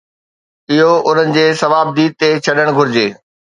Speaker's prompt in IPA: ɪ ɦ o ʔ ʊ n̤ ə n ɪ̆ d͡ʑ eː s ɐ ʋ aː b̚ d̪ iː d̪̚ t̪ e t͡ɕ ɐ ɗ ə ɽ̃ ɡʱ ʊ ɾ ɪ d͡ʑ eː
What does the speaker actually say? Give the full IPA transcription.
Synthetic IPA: ɪ ɦ o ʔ ʊ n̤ ə n ɪ̆ d͡ʑ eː s ɐ ʋ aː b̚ d̪ iː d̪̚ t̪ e t͡ɕʰ ɐ ɗ ə ɽ̃ ɡʱ ʊ ɾ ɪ d͡ʑ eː